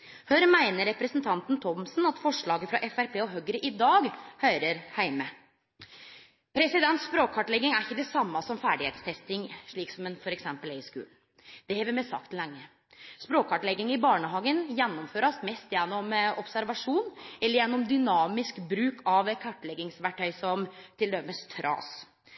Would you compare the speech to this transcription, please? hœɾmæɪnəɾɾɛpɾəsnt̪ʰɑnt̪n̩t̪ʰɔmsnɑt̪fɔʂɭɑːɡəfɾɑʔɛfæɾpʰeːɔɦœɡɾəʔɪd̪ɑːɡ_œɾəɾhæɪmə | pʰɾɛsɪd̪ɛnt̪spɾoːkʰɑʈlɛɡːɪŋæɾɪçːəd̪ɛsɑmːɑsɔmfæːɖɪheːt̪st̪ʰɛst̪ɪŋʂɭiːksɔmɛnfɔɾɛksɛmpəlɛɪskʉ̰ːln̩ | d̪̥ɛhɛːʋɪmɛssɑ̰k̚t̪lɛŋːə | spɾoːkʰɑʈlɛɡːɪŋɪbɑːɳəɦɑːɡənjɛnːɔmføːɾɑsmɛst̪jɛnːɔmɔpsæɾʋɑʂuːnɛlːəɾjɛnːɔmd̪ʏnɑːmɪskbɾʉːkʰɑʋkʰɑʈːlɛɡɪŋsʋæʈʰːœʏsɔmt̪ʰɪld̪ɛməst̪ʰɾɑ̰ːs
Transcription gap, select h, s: h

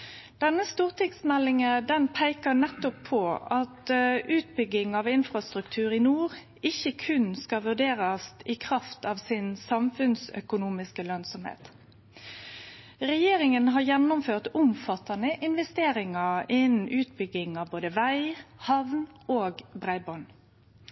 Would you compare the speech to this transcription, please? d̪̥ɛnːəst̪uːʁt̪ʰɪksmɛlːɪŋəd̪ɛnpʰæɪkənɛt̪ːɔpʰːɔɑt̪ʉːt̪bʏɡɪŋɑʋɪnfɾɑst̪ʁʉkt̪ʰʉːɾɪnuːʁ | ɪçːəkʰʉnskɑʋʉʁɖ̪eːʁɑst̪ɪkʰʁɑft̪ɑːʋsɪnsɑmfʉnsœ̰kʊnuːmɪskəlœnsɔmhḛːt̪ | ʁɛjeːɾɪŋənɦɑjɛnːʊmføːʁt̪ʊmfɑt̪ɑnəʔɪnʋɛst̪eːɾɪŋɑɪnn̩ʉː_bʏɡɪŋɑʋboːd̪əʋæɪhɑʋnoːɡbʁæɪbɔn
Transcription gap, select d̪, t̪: t̪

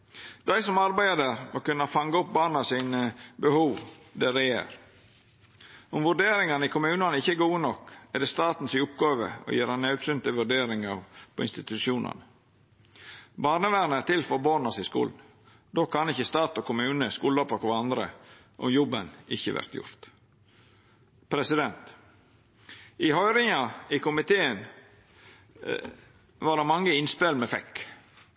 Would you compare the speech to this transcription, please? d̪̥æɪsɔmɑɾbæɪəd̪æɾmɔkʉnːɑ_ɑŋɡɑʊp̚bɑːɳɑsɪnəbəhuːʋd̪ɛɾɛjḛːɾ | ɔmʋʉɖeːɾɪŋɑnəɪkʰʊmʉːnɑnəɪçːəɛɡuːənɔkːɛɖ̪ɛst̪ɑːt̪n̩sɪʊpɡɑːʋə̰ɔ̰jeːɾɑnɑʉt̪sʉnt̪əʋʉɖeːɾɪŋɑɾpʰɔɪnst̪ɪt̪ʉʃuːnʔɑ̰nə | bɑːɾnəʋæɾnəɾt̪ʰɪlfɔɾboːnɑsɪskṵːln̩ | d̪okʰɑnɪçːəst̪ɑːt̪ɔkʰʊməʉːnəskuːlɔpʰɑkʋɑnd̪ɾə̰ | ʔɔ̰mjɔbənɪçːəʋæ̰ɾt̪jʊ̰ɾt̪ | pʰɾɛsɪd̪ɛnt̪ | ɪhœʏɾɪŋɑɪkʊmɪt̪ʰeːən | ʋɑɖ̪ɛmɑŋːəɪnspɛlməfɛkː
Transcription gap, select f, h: f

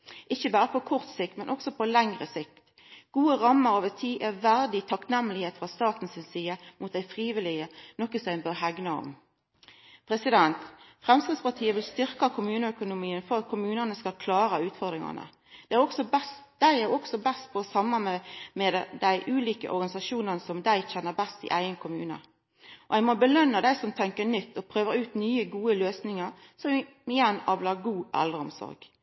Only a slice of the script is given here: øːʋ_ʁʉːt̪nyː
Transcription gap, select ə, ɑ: ə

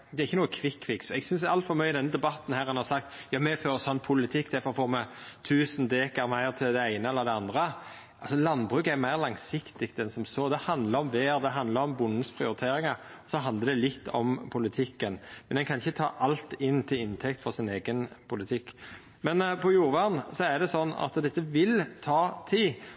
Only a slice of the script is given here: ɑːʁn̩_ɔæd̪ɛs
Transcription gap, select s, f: s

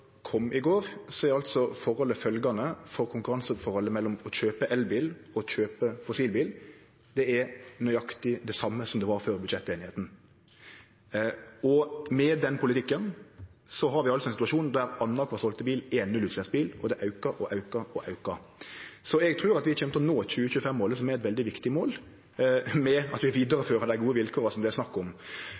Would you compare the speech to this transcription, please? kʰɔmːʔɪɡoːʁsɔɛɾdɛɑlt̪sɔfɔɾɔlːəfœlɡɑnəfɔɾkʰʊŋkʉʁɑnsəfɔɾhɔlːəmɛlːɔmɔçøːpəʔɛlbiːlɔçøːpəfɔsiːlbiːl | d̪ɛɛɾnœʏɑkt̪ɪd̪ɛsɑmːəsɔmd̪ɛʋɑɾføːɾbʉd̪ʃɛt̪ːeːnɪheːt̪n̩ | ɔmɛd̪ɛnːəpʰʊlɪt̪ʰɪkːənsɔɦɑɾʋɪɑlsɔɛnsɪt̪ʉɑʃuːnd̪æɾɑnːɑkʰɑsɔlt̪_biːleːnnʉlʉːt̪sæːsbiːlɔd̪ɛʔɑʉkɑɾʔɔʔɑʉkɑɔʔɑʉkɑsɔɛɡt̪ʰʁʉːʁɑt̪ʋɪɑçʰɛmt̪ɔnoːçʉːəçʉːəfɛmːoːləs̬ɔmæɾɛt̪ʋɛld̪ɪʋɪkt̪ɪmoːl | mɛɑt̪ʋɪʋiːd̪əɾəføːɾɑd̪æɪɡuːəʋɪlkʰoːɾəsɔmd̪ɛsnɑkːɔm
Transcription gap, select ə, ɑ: ə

